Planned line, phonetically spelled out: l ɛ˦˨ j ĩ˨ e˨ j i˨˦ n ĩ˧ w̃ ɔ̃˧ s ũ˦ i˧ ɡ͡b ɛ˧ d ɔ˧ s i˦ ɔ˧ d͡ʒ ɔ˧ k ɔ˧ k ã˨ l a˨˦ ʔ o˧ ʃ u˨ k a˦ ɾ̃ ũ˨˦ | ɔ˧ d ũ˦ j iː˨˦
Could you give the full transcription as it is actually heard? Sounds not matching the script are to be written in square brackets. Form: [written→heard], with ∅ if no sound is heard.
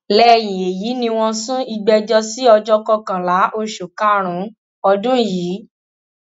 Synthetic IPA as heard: l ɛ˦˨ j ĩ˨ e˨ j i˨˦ n ĩ˧ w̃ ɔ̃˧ s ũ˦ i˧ ɡ͡b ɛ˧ [d→d͡ʒ] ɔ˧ s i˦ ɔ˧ d͡ʒ ɔ˧ k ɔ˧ k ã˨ l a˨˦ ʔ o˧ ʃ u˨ k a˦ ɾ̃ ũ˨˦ | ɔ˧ d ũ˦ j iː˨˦